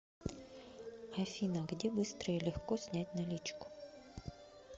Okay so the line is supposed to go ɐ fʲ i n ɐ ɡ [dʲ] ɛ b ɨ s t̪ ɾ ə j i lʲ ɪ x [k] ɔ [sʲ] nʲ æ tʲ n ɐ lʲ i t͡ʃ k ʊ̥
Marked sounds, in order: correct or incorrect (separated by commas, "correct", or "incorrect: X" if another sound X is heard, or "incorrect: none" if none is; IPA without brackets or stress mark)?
correct, correct, correct